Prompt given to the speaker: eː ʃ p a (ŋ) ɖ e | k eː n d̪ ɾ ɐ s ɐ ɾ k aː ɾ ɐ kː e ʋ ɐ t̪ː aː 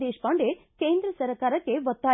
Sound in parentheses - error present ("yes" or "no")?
yes